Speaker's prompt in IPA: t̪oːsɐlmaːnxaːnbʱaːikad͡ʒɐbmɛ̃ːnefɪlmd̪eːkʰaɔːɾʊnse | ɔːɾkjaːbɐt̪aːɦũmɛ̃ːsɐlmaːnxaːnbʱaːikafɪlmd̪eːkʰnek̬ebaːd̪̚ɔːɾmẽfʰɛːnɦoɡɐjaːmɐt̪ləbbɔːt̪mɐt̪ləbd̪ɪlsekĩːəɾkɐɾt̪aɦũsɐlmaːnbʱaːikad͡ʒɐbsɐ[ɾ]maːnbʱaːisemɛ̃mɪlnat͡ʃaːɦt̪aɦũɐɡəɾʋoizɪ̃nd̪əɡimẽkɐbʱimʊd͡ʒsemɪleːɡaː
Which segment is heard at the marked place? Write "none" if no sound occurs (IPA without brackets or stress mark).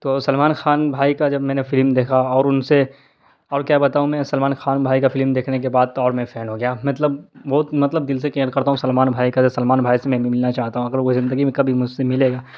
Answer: l